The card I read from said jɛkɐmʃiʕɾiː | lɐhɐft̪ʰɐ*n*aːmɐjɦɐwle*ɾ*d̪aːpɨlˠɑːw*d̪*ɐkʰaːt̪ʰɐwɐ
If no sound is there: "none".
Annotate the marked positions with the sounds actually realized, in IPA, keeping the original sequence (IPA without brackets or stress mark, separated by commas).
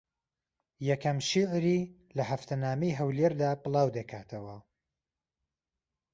n, ɾ, d̪